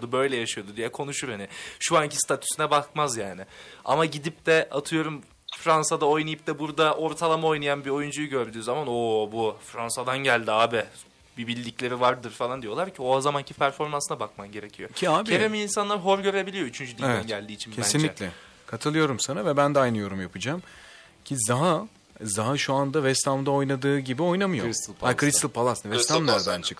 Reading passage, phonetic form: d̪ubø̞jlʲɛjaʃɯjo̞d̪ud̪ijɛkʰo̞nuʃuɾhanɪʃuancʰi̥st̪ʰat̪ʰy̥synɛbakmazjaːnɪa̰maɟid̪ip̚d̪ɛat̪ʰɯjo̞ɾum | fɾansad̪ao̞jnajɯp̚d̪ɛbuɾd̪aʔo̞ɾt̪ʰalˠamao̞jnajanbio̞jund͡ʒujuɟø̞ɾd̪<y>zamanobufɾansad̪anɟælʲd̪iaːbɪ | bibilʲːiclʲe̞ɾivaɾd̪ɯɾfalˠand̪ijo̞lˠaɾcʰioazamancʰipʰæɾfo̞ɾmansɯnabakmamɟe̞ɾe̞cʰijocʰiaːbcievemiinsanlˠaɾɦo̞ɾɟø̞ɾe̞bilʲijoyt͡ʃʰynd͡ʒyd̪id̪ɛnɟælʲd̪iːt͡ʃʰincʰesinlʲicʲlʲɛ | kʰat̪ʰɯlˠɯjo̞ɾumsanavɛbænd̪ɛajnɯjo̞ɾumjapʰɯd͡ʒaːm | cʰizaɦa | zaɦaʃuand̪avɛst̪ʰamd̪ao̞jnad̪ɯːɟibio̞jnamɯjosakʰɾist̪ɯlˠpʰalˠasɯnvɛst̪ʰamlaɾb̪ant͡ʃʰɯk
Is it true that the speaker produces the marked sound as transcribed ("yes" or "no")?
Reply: no